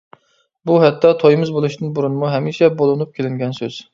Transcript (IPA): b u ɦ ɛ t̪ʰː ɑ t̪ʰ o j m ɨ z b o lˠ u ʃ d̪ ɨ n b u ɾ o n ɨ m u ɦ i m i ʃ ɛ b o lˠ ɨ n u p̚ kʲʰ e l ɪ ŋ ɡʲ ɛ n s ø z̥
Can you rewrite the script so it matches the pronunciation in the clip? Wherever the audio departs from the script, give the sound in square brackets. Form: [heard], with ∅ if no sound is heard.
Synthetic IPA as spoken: b u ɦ ɛ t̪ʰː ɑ t̪ʰ o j m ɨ z b o lˠ u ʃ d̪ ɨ n b u ɾ [u] n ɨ m u ɦ [ɛ] m i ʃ ɛ b o lˠ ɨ n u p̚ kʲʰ e l ɪ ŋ ɡʲ ɛ n s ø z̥